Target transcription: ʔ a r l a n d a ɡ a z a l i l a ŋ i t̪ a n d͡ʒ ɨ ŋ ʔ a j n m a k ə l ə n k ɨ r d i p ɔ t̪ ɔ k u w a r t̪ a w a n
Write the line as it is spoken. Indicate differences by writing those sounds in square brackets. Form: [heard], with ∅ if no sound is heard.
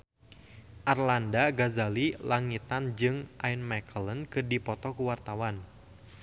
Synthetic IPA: ʔ a r l a n d a ɡ a z a l i l a ŋ i t̪ a n d͡ʒ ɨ ŋ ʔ a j n m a k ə l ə n k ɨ r d i p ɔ t̪ ɔ k u w a r t̪ a w a n